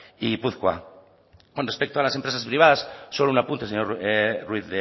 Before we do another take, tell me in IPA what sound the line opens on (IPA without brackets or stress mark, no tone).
i